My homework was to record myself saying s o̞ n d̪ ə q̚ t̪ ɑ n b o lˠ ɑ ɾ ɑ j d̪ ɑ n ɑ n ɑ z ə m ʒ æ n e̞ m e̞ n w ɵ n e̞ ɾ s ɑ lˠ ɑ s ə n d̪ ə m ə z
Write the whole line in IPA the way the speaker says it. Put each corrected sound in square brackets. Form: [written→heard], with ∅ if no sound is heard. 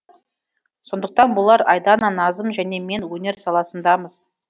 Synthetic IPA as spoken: s o̞ n d̪ ə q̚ t̪ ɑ n b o lˠ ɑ ɾ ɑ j d̪ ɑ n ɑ n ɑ z ə m ʒ æ n e̞ m e̞ n w ɵ n e̞ ɾ s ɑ lˠ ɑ s ə n d̪ [ə→ɑ] m ə z